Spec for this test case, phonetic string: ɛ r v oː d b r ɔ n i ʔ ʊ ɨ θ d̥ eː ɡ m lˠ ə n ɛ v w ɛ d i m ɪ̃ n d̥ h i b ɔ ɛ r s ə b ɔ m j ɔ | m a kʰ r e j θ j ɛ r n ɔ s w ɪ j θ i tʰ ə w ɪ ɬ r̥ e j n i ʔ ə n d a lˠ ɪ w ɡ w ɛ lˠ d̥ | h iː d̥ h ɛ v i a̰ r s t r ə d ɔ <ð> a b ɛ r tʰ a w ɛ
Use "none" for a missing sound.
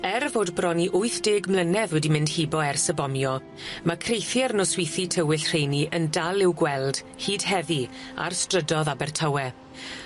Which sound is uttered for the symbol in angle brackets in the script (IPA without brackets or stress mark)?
ð